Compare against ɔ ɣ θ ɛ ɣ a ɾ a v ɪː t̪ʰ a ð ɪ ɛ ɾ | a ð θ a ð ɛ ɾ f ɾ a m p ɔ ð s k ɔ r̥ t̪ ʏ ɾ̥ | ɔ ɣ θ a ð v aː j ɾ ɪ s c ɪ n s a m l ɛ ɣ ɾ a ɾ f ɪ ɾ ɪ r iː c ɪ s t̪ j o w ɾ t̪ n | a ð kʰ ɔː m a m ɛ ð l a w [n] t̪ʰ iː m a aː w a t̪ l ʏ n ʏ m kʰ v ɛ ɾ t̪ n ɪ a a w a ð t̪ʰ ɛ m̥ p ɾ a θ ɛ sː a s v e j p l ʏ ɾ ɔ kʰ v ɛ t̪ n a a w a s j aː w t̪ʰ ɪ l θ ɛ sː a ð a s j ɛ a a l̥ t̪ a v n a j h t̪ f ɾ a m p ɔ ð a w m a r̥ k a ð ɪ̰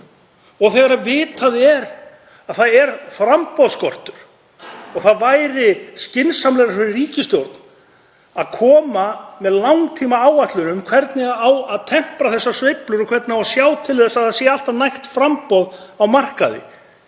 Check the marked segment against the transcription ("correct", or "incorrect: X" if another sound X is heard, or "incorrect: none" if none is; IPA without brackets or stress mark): incorrect: ŋ